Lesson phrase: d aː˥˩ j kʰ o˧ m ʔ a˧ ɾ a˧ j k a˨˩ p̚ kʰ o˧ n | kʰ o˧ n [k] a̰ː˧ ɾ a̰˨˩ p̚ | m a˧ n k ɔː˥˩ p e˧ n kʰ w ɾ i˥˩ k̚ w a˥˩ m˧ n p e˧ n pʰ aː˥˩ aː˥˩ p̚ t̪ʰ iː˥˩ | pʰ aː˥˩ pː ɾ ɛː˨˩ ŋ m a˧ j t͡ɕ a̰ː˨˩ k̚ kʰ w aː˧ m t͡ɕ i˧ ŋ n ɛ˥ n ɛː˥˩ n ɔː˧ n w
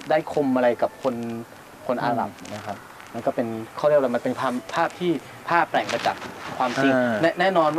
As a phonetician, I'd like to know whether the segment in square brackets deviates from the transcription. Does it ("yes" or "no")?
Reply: yes